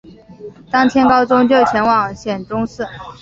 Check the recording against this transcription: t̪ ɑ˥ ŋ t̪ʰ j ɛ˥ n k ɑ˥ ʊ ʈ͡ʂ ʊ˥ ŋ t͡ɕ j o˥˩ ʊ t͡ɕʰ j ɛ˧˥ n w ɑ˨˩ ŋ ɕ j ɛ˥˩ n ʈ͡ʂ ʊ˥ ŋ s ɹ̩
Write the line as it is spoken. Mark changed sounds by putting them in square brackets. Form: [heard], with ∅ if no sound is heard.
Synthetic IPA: t̪ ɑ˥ ŋ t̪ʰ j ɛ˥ n k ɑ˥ ʊ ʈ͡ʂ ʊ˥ ŋ t͡ɕ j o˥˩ ʊ t͡ɕʰ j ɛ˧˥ n w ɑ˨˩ ŋ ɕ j [ɛ˨˩] n ʈ͡ʂ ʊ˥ ŋ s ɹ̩